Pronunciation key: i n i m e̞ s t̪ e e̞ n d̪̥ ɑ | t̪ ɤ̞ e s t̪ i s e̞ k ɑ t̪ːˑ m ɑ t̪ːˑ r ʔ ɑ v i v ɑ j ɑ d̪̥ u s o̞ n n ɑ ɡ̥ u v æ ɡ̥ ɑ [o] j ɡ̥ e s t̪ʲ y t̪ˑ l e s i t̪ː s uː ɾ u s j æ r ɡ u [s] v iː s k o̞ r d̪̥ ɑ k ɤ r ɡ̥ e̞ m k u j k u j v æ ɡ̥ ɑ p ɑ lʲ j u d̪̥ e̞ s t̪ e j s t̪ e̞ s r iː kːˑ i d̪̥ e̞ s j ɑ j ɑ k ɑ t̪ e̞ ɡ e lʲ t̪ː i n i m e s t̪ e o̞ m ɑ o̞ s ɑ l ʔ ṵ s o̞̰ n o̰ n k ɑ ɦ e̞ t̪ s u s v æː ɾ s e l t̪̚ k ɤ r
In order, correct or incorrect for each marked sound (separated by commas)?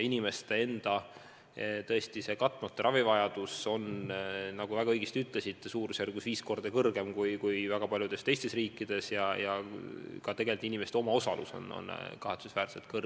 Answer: incorrect, correct